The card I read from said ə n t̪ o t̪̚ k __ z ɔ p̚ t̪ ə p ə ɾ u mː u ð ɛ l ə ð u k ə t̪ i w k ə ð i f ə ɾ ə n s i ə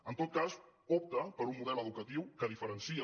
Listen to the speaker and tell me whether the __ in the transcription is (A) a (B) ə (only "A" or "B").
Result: A